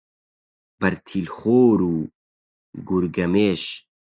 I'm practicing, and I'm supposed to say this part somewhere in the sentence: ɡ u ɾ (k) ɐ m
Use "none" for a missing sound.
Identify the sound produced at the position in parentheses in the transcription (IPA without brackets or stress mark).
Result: ɡ